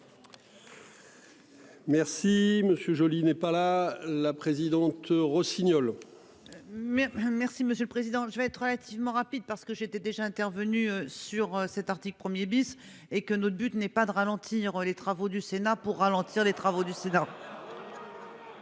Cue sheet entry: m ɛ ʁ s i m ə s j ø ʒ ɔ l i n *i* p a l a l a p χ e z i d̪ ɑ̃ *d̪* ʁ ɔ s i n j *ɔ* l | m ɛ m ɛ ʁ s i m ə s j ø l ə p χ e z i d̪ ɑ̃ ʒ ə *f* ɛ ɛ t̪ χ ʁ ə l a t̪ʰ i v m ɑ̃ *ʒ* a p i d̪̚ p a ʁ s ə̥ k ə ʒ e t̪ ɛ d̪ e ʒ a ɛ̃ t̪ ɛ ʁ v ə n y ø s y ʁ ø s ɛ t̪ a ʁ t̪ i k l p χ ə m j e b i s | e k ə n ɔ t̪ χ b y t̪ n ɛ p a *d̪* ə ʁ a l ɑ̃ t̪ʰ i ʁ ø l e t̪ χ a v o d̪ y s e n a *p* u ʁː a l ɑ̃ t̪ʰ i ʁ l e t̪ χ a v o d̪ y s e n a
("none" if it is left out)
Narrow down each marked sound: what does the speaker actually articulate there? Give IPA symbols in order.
ɛ, t̪, ɔ, v, ʁ, d̪, p

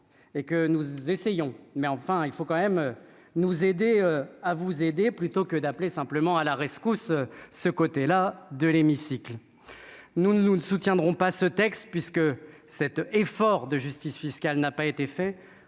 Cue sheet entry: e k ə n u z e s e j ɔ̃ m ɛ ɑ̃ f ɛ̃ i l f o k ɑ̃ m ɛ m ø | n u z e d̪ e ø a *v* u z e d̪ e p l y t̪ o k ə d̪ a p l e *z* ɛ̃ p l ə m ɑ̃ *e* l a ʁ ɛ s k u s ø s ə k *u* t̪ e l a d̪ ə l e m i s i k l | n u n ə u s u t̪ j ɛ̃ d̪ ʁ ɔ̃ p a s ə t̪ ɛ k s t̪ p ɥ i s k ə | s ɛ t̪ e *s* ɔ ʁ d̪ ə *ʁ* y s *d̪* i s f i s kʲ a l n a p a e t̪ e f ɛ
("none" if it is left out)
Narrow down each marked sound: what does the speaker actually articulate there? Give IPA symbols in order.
v, s, a, o, f, ʒ, t̪

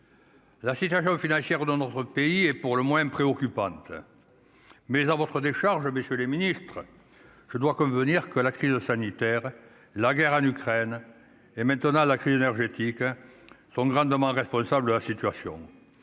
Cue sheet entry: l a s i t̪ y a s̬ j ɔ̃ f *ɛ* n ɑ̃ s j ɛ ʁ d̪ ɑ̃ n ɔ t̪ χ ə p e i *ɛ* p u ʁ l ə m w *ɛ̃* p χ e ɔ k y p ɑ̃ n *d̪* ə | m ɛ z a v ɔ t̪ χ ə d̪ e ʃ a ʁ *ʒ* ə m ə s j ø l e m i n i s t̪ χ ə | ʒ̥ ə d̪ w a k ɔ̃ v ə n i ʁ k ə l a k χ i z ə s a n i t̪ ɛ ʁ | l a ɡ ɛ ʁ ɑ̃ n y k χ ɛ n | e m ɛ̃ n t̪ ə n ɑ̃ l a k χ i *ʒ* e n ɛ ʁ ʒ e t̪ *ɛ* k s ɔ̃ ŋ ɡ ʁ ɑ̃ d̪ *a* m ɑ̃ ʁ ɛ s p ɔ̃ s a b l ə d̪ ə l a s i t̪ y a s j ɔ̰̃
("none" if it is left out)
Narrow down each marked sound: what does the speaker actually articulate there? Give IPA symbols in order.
i, ɛ, ɛ̃, t̪, ʒ, z, i, ə

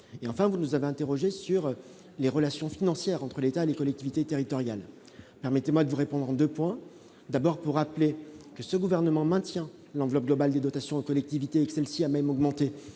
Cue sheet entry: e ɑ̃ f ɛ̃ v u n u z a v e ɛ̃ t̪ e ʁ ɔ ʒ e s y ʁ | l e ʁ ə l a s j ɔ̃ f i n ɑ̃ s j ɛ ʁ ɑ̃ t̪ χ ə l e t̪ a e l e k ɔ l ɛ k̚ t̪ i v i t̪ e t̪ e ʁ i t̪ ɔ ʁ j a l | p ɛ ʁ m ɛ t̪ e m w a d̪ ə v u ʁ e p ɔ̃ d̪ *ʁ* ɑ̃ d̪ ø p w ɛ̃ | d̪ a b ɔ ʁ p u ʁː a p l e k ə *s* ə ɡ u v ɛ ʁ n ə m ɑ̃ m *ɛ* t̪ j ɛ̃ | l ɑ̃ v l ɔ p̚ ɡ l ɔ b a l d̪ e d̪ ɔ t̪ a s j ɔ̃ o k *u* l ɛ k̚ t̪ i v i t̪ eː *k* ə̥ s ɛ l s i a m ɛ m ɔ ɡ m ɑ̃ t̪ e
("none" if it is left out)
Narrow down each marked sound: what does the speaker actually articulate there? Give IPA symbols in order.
ʁ, s, ɛ̃, ɔ, k

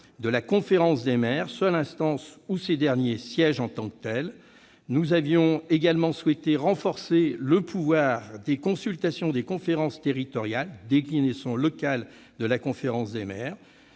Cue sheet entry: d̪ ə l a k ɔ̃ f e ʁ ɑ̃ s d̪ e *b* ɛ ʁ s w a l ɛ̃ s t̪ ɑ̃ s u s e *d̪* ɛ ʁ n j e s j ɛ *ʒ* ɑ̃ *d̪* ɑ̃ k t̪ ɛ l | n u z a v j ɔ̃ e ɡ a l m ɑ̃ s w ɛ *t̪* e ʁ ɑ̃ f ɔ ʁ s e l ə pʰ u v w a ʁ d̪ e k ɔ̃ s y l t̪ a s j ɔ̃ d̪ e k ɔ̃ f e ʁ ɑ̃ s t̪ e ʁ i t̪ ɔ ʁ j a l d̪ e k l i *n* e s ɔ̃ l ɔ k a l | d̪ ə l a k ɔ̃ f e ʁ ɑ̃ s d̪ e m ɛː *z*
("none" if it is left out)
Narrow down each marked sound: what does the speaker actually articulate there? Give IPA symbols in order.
m, d̪, ʒ, t̪, t̪, n, ʁ

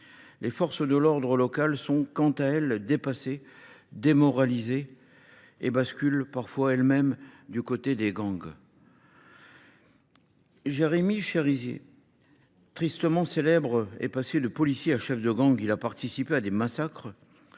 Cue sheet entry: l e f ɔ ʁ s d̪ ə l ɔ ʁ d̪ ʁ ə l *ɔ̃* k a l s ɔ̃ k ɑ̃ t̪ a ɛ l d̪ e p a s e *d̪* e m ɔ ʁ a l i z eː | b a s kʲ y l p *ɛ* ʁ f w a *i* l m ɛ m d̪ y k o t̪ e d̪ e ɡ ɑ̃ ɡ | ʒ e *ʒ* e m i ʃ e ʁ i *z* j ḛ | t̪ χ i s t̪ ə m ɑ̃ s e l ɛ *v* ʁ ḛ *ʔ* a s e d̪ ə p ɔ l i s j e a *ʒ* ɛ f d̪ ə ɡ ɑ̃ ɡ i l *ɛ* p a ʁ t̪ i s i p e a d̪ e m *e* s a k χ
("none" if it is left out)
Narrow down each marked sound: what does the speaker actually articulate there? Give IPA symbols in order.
ɔ, d̪, a, ɛ, ʁ, z, b, p, ʃ, a, a

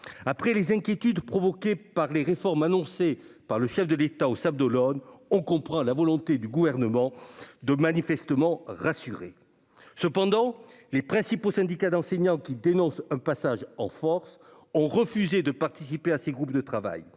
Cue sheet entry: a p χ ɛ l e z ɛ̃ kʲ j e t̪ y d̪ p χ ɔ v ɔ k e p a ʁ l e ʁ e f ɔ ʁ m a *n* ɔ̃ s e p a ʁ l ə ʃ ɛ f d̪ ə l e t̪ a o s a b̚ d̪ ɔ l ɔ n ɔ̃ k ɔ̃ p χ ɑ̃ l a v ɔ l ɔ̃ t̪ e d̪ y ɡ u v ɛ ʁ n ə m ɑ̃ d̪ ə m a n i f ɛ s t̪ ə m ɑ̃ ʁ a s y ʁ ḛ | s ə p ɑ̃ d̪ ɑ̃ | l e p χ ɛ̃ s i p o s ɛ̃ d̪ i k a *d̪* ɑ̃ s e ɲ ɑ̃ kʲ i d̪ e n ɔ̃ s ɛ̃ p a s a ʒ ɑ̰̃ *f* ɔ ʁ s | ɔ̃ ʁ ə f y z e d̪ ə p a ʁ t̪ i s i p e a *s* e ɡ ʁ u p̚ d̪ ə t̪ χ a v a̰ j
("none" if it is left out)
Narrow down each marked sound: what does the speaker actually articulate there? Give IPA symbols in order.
n, d̪, f, s

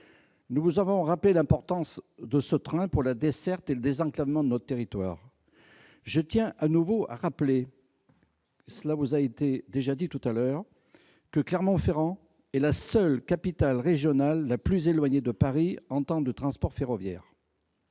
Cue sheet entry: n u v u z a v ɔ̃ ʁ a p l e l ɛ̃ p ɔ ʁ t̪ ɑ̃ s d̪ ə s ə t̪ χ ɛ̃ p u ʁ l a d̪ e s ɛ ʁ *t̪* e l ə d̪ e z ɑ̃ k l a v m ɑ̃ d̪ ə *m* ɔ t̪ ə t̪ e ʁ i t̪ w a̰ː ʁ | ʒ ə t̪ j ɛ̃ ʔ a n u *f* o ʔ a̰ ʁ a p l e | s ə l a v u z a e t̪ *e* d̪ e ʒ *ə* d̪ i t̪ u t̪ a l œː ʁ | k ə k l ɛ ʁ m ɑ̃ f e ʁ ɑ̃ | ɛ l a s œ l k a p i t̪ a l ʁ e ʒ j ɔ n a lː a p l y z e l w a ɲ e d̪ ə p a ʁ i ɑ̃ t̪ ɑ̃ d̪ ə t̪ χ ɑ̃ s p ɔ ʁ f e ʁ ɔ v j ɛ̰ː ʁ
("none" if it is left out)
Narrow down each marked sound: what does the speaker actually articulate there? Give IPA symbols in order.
t̪, n, v, e, a

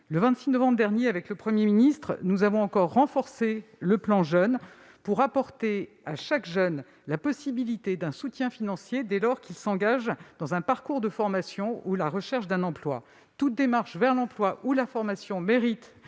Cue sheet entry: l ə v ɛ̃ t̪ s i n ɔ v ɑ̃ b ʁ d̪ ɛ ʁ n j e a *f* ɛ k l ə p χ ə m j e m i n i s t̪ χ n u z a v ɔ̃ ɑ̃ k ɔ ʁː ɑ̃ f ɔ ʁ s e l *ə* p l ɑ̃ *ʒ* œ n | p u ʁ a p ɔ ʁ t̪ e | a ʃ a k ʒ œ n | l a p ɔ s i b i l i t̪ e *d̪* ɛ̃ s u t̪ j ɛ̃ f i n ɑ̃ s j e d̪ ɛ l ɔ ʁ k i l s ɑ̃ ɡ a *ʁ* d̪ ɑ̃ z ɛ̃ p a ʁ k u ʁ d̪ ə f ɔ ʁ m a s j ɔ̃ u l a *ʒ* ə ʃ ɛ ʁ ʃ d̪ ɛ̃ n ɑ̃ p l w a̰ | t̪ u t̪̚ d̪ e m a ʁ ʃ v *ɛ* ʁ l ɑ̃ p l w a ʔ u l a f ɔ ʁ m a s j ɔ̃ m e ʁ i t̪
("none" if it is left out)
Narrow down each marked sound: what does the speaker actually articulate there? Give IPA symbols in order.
v, ə, ʒ, d̪, ʒ, ʁ, ɛ

